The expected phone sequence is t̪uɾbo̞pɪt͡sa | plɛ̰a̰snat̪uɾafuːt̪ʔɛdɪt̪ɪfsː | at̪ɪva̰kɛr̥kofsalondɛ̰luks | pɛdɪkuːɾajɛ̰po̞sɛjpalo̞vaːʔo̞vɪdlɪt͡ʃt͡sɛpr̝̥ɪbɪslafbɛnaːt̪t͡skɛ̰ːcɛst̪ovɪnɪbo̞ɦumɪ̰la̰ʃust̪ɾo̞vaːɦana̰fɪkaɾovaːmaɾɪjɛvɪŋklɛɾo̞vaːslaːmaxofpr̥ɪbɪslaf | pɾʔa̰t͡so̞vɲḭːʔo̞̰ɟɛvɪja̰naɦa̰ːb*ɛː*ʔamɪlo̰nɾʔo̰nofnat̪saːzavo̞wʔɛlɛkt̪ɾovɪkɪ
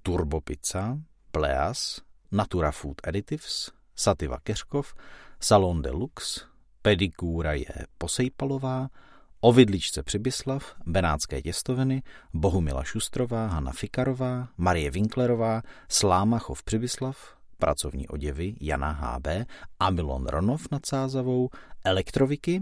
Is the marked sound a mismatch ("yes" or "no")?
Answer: no